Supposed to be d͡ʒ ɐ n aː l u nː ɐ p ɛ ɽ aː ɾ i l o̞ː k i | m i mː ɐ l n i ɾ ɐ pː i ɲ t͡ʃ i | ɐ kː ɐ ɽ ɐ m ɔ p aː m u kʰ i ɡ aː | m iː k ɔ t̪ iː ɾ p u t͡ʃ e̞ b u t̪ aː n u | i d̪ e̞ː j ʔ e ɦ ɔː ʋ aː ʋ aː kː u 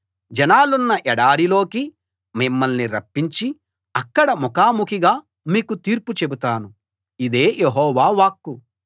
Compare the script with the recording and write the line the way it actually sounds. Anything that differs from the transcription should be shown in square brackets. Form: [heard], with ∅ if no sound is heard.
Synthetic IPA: d͡ʒ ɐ n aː l u nː ɐ [ʔ] ɛ ɽ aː ɾ i l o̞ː k i | m i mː ɐ l n i ɾ ɐ pː i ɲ t͡ʃ i | ɐ kː ɐ ɽ ɐ m ɔ [k] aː m u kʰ i ɡ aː | m iː k [u] t̪ iː ɾ p u t͡ʃ e̞ b u t̪ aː n u | i d̪ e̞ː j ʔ e ɦ ɔː ʋ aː ʋ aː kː u